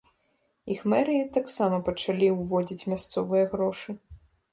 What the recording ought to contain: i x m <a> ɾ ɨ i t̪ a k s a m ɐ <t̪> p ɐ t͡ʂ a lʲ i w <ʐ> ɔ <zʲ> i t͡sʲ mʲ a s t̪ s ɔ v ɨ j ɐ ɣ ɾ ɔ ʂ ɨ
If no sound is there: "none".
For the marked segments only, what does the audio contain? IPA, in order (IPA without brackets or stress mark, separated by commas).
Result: ɛ, none, v, d͡zʲ